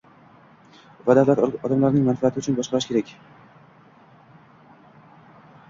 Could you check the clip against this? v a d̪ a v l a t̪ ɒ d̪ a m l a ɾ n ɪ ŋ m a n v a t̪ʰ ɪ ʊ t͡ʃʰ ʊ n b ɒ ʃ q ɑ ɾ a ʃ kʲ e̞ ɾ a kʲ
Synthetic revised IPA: v a d̪ a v l a t̪ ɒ d̪ a m l a ɾ n ɪ ŋ m a n f a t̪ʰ ɪ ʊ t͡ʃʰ ʊ n b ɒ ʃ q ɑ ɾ a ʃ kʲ e̞ ɾ a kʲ